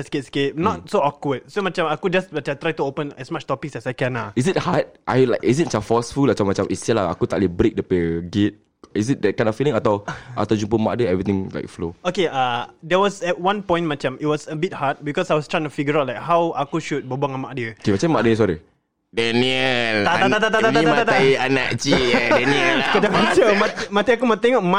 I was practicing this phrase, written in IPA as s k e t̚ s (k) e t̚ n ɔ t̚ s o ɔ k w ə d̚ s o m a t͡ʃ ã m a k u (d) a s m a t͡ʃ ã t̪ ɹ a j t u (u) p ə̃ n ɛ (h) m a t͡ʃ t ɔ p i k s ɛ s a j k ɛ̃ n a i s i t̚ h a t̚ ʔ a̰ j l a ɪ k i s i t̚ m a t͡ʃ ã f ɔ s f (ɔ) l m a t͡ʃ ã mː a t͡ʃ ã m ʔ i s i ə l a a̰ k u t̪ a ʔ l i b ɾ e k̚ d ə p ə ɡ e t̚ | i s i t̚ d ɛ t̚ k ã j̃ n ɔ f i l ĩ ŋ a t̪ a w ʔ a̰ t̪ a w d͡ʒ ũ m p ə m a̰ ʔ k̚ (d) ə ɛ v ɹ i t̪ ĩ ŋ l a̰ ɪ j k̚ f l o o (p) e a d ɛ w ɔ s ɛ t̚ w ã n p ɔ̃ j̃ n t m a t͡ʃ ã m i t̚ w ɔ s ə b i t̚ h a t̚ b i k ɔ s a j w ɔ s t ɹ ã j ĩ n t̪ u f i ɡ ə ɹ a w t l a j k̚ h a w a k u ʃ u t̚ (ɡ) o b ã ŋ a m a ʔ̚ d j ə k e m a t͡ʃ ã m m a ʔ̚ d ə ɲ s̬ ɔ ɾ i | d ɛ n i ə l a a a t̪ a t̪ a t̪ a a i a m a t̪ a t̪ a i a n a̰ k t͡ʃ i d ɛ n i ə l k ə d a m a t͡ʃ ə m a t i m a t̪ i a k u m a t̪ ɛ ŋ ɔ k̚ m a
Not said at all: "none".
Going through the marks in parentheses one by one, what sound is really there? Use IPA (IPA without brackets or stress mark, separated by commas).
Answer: k, d͡ʒ, o, s, u, d, k, b